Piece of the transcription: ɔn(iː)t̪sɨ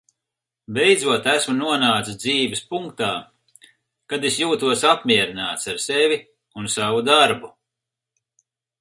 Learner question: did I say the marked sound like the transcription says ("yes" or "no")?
no